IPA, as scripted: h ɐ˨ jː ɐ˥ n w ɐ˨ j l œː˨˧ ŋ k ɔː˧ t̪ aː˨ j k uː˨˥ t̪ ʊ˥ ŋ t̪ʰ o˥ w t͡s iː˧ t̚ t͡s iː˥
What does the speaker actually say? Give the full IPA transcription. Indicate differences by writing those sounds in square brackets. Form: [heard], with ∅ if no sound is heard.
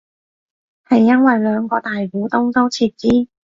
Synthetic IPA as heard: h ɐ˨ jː ɐ˥ n w ɐ˨ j l œː˨˧ ŋ k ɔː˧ t̪ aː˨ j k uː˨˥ t̪ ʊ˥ ŋ [t̪] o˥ w [t͡sʰ] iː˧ t̚ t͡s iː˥